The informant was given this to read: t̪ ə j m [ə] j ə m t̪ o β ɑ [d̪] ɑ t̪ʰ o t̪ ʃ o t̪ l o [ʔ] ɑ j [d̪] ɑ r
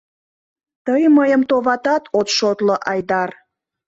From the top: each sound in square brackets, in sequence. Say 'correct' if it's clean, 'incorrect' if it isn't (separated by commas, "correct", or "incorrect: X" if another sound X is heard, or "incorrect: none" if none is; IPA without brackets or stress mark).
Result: correct, incorrect: t̪, correct, correct